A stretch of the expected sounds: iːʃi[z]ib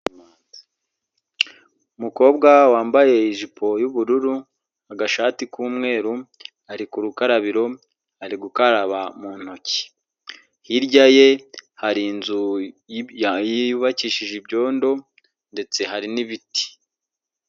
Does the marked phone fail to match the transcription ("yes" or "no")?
yes